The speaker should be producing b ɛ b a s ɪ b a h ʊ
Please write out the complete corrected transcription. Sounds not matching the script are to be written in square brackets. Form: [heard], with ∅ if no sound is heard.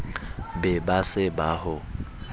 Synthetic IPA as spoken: b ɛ b a s ɪ b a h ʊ